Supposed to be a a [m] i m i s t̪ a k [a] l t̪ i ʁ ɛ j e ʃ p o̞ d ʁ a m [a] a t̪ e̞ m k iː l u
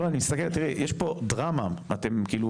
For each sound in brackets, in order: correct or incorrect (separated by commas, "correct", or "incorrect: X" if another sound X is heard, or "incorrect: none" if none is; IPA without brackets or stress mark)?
incorrect: n, incorrect: e, correct